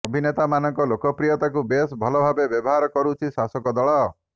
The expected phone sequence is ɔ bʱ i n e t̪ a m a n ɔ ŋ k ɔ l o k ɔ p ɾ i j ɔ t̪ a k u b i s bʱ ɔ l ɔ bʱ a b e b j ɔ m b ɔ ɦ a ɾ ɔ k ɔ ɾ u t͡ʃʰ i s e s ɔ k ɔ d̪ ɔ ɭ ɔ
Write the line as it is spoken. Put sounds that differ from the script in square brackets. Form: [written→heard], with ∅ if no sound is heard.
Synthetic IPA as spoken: ɔ bʱ i n e t̪ a m a n ɔ ŋ k ɔ l o k ɔ p ɾ i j ɔ t̪ a k u b [i→e] s bʱ ɔ l ɔ bʱ a b e b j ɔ [m→∅] b ɔ ɦ a ɾ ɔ k ɔ ɾ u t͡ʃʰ i s [e→a] s ɔ k ɔ d̪ ɔ ɭ ɔ